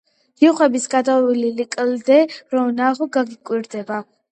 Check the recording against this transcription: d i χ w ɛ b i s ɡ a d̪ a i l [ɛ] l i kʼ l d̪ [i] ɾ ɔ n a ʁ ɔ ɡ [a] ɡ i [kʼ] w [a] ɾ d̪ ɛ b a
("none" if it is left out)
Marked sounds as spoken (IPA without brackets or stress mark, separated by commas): i, ɛ, a, kʼ, i